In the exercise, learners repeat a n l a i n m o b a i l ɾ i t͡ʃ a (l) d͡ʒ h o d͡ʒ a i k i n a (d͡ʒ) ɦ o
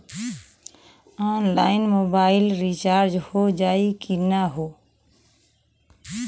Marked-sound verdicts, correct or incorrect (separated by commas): incorrect, incorrect